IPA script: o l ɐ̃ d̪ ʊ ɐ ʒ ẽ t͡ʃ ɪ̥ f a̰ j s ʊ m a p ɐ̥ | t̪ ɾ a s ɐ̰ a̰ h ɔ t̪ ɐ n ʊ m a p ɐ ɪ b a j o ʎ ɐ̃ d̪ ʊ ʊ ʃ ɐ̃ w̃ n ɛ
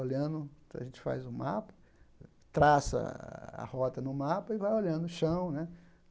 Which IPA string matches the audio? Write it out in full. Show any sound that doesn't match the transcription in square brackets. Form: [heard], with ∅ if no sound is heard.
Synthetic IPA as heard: o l ɐ̃ d̪ ʊ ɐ ʒ ẽ t͡ʃ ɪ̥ f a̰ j [z] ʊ m a p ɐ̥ | t̪ ɾ a s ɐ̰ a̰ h ɔ t̪ ɐ n ʊ m a p ɐ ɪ [v] a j o ʎ ɐ̃ d̪ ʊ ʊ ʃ ɐ̃ w̃ n ɛ